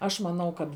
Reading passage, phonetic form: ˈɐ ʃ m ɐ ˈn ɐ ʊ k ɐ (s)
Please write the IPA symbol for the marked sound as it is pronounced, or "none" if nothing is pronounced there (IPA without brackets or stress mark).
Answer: t